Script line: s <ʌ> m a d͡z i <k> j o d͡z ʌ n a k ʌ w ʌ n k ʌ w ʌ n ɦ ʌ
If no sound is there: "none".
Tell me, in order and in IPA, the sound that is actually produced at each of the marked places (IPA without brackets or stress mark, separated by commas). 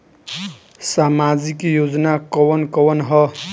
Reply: a, k